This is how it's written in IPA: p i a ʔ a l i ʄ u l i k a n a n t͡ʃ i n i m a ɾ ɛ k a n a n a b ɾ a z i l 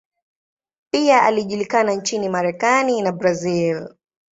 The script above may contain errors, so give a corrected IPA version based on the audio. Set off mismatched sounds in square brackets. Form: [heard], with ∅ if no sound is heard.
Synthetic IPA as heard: p i a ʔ a l i ʄ u l i k a n a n t͡ʃ i n i m a ɾ ɛ k a n [i] n a b ɾ a z i l

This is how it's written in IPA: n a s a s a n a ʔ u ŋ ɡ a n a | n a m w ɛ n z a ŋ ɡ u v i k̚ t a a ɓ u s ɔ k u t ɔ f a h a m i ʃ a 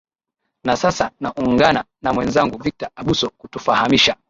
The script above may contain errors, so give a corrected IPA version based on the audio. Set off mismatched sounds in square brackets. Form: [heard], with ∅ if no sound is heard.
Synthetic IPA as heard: n a s a s a n a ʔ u ŋ ɡ a n a | n a m w ɛ n z a ŋ ɡ u v i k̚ t a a ɓ u s ɔ k u t [u] f a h a m i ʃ a

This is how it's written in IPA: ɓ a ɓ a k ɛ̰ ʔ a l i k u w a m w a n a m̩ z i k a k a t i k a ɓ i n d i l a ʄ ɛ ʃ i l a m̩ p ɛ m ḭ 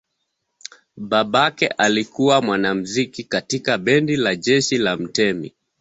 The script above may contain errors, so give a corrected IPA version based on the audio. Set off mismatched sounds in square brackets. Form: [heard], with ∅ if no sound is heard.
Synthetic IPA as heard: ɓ a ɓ a k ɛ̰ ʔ a l i k u w a m w a n a m̩ z i k [i] k a t i k a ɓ [ɛ] n d i l a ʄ ɛ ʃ i l a m̩ [t] ɛ m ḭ

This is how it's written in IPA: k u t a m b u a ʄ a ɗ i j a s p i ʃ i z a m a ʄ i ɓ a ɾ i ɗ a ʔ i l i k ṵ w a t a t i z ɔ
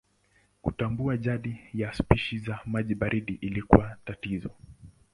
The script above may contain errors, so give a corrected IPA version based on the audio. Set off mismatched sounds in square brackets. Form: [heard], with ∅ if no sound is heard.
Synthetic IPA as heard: k u t a m b u a ʄ a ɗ i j a s p i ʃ i z a m a ʄ i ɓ a ɾ i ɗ [i] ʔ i l i k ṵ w a t a t i z ɔ

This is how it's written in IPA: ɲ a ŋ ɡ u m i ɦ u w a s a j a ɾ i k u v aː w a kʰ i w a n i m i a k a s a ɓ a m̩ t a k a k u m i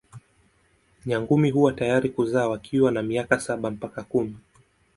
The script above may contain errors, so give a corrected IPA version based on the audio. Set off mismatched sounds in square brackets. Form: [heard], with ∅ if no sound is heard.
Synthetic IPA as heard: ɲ a ŋ ɡ u m i ɦ u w a [t] a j a ɾ i k u [z] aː w a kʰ i w a n [a] m i a k a s a ɓ a m̩ [p] a k a k u m i

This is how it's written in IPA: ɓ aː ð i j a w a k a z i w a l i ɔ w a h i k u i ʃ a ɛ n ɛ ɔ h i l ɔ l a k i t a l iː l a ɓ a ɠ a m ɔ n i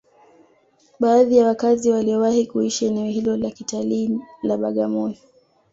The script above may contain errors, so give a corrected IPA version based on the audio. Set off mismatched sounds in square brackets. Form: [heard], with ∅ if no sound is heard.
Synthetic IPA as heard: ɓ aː ð i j a w a k a z i w a l i ɔ w a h i k u i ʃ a ɛ n ɛ ɔ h i l ɔ l a k i t a l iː l a ɓ a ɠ a m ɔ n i

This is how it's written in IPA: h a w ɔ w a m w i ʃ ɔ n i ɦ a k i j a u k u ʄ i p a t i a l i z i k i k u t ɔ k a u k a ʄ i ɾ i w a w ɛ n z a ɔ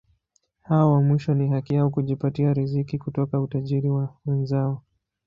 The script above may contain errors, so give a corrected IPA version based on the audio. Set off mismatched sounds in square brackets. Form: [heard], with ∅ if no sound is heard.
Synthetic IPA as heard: h a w ɔ w a m w i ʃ ɔ n i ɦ a k i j a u k u ʄ i p a t i a [ɾ] i z i k i k u t ɔ k a u [t] a ʄ i ɾ i w a w ɛ n z a ɔ

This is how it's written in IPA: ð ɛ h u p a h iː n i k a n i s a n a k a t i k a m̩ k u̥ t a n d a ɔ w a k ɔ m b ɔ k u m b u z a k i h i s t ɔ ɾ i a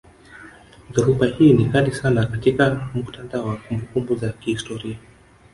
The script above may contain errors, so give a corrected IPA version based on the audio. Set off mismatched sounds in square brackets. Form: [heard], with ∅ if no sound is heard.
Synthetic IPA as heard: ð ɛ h u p a h iː n i k a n i s a n a k a t i k a m̩ k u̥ t a n d a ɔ w a k [u] m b [u] k u m b u z a k i h i s t ɔ ɾ i a

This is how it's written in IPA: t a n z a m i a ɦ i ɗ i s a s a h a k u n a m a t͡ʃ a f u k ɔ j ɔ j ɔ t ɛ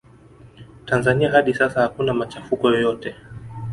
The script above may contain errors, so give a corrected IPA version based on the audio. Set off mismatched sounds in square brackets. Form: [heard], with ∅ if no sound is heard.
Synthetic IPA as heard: t a n z a [n] i a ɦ [a] ɗ i s a s a h a k u n a m a t͡ʃ a f u k ɔ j ɔ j ɔ t ɛ

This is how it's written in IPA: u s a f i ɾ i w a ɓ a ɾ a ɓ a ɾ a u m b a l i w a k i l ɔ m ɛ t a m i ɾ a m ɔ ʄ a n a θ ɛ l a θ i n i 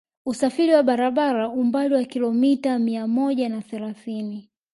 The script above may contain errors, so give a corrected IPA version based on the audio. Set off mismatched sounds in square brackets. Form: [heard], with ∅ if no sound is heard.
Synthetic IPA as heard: u s a f i ɾ i w a ɓ a ɾ a ɓ a ɾ a u m b a l i w a k i l ɔ m [i] t a m i [∅] a m ɔ ʄ a n a θ ɛ l a θ i n i

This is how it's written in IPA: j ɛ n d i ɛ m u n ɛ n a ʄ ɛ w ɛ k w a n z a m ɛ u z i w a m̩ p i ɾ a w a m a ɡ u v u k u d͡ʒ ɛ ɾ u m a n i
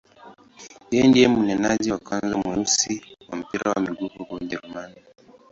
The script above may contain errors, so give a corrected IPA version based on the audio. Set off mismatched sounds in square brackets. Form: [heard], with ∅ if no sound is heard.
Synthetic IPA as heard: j ɛ n d i ɛ m u n ɛ n a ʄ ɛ w [a] k w a n z a m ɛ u [s] i w a m̩ p i ɾ a w a m [i] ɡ u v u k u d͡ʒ ɛ ɾ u m a n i

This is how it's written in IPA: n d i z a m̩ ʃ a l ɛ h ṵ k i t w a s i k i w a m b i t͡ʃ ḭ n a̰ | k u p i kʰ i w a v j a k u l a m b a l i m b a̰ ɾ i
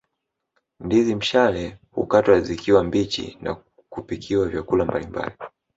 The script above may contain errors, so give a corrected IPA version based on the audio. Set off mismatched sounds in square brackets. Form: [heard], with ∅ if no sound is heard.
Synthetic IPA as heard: n d i z [i] m̩ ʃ a l ɛ h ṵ k [a] t w a [z] i k i w a m b i t͡ʃ ḭ n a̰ | k u p i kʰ i w a v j a k u l a m b a l i m b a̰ [l] i

